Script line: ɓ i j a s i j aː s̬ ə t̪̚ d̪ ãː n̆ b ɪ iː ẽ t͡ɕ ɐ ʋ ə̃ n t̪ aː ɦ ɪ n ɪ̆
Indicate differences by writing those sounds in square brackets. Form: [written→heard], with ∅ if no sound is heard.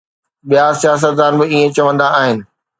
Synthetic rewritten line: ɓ i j a s i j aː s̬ ə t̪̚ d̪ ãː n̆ b ɪ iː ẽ t͡ɕ ɐ ʋ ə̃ n [t̪→d̪] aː ɦ ɪ n ɪ̆